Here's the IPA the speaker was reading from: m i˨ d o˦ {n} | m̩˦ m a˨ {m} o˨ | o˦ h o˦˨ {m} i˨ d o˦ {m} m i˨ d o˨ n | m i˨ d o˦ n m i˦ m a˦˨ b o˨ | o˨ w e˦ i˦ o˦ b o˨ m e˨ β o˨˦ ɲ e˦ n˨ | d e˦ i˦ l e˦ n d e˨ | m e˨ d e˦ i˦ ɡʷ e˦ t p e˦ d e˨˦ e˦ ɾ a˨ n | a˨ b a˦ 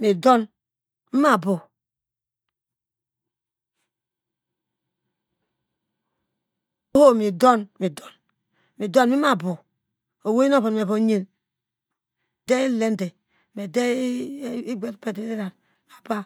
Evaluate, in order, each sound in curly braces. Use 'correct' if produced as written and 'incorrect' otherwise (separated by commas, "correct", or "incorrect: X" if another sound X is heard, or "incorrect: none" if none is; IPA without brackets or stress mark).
correct, incorrect: b, correct, incorrect: n